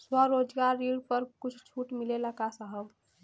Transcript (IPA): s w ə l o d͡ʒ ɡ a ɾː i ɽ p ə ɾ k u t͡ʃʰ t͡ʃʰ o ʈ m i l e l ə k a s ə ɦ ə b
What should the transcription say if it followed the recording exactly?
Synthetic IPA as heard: s w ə ɾ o d͡ʒ ɡ a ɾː i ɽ p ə ɾ k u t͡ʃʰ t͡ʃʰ u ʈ m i l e l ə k a s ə ɦ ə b